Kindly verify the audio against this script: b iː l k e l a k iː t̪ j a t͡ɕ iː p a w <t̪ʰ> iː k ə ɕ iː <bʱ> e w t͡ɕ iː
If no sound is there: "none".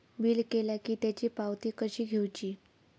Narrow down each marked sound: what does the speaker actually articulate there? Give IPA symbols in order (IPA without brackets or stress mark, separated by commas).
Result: t̪, ɡʱ